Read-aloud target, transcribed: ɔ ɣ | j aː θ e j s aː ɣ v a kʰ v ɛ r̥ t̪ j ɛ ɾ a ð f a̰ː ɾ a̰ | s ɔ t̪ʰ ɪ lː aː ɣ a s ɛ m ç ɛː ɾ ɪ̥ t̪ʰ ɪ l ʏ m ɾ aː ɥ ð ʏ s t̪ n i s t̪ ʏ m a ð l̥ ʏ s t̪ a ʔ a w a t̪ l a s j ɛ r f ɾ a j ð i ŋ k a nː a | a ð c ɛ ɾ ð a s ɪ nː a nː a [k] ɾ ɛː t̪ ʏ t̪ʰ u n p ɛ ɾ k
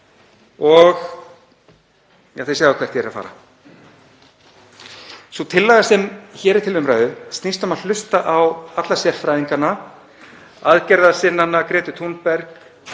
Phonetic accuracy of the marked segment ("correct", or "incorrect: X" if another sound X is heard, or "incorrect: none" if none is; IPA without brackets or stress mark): correct